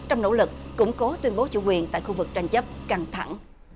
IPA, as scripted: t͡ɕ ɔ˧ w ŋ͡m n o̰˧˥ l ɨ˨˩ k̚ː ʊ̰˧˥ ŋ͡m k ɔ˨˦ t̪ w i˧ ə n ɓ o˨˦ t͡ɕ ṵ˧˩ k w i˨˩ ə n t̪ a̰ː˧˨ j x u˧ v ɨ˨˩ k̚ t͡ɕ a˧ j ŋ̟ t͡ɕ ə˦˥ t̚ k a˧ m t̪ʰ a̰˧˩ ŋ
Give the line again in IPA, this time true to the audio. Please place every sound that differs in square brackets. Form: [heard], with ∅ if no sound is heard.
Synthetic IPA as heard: t͡ɕ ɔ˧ w ŋ͡m n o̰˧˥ l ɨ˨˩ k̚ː ʊ̰˧˥ ŋ͡m k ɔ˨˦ t̪ w i˧ ə n ɓ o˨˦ t͡ɕ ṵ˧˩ k w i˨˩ ə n t̪ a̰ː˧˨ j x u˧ v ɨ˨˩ k̚ t͡ɕ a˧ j ŋ̟ t͡ɕ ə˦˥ [p̚] k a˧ [ŋ] t̪ʰ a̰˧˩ ŋ